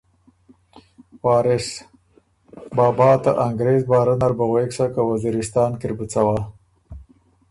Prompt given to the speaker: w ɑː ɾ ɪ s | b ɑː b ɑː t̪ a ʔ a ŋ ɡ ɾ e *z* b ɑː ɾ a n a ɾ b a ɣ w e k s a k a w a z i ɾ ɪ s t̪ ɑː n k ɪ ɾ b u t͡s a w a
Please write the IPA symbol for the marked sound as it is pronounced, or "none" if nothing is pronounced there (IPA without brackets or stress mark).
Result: z